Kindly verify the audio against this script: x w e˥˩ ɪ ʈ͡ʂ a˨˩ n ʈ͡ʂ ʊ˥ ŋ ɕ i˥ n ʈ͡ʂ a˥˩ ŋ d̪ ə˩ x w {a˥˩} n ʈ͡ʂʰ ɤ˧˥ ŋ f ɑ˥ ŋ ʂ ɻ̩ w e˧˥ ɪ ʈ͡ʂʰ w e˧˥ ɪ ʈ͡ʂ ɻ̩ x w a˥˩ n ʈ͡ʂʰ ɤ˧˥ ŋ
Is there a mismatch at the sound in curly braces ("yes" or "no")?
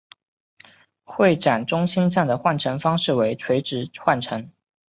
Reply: no